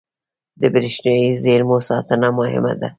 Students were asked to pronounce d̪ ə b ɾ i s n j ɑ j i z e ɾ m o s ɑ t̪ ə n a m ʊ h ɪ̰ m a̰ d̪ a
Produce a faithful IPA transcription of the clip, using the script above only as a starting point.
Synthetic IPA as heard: d̪ ə b ɾ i ʃ n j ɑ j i z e ɾ m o s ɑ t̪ ə n a m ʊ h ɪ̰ m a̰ d̪ a